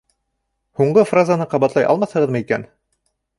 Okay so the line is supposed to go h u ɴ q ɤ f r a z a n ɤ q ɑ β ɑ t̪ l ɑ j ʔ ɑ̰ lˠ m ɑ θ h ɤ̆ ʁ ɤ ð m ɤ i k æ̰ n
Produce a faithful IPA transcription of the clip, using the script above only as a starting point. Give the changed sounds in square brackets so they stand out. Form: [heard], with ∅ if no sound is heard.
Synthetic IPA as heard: h u ɴ [ɢ] ɤ f r a z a n ɤ q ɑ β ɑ t̪ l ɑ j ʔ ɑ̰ lˠ m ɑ θ h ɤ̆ ʁ ɤ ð m ɤ i k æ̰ n